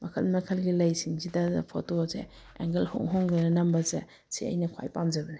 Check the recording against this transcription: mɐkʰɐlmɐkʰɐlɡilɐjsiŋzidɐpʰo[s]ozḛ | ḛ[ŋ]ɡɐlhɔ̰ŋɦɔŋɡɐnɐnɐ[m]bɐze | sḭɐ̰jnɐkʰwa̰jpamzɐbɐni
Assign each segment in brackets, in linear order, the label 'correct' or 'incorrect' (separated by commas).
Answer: incorrect, correct, correct